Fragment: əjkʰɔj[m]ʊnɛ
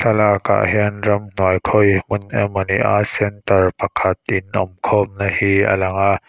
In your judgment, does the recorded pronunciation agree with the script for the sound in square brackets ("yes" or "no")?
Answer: yes